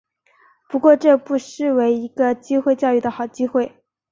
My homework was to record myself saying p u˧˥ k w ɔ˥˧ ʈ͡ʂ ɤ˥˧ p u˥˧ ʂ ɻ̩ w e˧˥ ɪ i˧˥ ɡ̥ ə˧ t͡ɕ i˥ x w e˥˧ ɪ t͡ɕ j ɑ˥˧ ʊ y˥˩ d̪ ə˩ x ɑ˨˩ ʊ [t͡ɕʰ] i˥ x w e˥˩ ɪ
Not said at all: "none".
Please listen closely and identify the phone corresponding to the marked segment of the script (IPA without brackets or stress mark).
t͡ɕ